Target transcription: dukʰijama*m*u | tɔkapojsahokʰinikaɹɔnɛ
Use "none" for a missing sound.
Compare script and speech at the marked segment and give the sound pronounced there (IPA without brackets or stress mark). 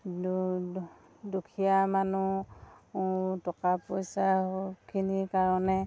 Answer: n